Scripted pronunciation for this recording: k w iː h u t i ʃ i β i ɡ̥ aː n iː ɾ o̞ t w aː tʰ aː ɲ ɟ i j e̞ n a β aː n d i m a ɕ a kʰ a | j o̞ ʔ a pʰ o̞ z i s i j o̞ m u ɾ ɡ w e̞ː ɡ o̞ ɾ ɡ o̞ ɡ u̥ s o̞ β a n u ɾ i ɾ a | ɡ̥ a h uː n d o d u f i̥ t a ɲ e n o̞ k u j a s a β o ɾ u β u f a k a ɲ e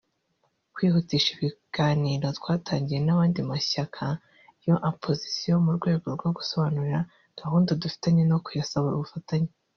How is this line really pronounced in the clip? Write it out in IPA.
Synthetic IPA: k w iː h u t i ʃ i β i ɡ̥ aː n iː ɾ o̞ t w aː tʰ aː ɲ ɟ i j e̞ n a β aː n d i m a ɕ a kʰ a | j o̞ ʔ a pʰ o̞ z i s i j o̞ m u ɾ ɡ w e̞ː ɡ o̞ ɾ ɡ o̞ ɡ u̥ s o̞ β a n u ɾ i ɾ a | ɡ̥ a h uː n d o d u f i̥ t a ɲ e n o̞ k u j a s a β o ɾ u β u f a t a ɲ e